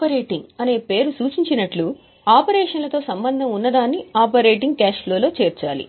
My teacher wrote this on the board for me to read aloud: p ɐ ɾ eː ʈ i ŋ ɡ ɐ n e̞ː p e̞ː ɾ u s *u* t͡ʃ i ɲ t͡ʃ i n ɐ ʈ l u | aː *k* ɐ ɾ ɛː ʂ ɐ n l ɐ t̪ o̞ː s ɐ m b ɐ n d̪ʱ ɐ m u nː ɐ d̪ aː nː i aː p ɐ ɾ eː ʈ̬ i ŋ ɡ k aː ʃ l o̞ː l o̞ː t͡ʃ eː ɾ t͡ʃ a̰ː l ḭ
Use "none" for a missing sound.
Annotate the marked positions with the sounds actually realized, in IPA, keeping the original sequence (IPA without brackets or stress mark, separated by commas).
uː, p